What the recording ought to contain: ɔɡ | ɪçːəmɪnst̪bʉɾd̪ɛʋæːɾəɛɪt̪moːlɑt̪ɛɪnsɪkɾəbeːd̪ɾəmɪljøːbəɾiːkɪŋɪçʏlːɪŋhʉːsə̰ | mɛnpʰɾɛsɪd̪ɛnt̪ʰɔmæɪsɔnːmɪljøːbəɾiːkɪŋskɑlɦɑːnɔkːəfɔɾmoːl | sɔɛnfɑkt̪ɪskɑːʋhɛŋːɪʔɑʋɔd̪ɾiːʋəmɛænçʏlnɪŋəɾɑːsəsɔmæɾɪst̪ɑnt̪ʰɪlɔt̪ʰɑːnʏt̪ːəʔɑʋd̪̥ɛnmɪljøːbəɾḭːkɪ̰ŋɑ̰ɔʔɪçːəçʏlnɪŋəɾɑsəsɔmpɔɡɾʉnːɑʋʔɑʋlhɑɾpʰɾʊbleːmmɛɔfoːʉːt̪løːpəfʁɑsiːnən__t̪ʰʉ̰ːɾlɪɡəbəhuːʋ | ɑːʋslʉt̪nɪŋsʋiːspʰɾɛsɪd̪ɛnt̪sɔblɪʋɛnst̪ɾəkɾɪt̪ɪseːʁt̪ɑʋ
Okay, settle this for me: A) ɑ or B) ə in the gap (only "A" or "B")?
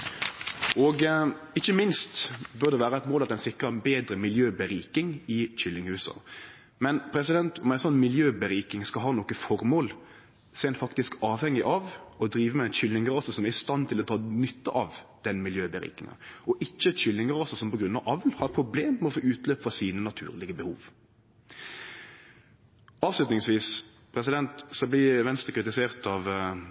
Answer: A